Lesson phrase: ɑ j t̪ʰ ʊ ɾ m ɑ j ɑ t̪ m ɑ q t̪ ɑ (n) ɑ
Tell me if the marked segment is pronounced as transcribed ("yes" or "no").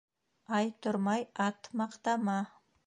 no